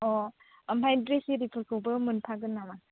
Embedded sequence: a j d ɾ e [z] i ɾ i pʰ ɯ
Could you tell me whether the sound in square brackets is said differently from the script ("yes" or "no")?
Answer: yes